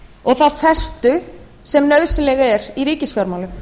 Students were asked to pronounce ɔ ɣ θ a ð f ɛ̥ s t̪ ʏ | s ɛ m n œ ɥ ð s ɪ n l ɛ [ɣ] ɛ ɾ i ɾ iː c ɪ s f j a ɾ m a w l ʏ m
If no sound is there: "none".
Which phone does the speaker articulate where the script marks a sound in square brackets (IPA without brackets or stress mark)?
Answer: ɣ